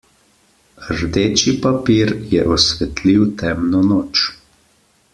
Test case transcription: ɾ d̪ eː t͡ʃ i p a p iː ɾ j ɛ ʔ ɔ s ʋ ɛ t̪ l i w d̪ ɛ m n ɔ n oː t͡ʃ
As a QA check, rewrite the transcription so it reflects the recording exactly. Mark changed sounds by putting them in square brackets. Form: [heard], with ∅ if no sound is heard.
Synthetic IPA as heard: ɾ d̪ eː t͡ʃ i p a p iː ɾ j ɛ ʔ ɔ s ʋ ɛ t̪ l i w [t̪] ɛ m n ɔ n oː t͡ʃ